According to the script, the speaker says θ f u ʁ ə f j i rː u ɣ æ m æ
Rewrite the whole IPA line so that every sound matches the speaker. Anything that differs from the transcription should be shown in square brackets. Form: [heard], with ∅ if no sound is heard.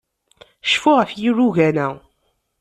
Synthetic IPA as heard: [ʃ] f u ʁ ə f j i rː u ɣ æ [n] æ